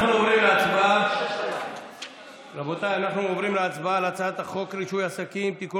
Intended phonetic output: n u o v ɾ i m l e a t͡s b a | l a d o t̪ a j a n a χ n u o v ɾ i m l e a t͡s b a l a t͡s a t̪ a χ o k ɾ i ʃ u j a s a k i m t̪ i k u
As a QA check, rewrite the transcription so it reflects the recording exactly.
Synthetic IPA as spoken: n u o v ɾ i m l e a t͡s b a | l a b o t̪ a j a n a χ n u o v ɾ i m l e a t͡s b a l a t͡s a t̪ a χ o k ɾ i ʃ u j a s a k i m t̪ i k u